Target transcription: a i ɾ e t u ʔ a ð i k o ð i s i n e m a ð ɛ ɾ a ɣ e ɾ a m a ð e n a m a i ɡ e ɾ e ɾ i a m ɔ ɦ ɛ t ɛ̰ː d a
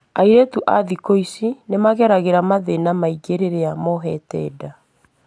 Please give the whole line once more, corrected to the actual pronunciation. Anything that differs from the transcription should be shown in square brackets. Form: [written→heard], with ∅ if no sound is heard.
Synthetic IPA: a i ɾ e t u ʔ a ð i k o [ð→∅] i s i n e m a [ð→ɣ] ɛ ɾ a ɣ e ɾ a m a ð e n a m a i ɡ e ɾ e ɾ [i→e] a m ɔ ɦ ɛ t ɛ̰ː d a